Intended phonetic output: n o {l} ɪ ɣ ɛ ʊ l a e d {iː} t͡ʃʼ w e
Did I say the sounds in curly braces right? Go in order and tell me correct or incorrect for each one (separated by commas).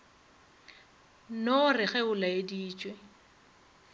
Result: incorrect, correct